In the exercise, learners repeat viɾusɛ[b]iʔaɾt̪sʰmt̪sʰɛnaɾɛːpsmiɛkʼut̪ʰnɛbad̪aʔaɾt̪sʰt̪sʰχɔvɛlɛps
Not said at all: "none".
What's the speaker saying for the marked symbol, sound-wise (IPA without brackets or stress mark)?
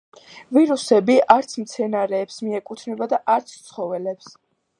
b